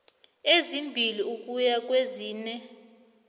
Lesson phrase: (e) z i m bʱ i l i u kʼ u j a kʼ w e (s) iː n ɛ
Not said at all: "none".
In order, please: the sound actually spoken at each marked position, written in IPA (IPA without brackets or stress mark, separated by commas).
e, z